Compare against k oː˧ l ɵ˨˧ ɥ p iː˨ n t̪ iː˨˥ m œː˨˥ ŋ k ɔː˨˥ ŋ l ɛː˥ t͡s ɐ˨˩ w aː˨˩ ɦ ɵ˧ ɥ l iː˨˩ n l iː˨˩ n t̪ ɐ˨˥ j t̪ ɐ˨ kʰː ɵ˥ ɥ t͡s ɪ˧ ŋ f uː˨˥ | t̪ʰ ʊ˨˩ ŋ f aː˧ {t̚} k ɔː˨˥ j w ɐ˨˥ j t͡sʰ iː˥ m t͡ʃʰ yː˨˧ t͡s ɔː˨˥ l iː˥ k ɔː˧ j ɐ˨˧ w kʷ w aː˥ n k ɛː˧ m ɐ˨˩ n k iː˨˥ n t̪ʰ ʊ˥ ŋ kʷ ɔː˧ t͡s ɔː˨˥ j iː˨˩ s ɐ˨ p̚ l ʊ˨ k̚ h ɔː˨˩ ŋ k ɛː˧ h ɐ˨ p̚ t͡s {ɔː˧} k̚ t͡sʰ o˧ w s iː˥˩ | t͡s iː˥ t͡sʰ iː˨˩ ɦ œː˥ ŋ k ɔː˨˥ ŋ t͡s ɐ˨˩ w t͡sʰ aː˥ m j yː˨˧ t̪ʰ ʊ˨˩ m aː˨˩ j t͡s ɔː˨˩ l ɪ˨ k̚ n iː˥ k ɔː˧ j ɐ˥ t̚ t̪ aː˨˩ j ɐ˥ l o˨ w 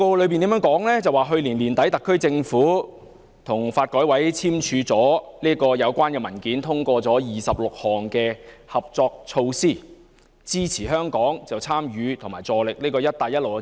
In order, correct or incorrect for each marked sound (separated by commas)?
correct, correct